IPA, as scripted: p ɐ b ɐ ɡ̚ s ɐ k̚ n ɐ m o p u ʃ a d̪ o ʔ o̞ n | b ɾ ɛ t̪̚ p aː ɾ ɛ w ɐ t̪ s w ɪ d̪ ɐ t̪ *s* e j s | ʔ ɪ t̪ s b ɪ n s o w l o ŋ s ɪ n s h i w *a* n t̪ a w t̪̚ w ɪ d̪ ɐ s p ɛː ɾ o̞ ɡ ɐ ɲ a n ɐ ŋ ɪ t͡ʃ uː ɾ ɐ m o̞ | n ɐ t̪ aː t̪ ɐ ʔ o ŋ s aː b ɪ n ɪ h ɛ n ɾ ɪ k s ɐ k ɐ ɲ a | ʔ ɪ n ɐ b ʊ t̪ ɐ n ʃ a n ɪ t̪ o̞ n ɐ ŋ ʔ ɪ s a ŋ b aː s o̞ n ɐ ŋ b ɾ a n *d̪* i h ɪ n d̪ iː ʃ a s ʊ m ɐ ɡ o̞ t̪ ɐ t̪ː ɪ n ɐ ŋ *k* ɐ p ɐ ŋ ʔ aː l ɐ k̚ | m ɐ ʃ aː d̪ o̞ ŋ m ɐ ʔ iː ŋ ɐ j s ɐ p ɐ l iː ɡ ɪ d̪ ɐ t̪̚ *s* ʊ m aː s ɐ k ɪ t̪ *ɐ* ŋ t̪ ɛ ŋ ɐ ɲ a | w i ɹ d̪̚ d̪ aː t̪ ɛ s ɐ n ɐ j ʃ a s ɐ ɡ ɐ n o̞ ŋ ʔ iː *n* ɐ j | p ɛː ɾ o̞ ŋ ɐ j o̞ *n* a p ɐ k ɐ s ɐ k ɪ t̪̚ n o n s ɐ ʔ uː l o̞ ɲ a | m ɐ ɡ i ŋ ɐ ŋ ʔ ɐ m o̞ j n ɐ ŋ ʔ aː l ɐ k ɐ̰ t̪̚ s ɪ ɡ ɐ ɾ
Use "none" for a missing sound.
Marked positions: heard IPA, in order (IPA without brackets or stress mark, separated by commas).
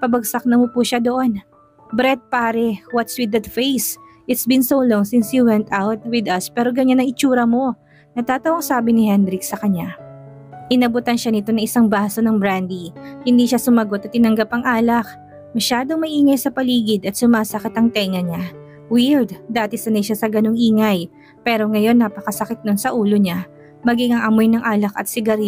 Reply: f, ɛ, d̪, ɡ, s, ɐ, ŋ, nː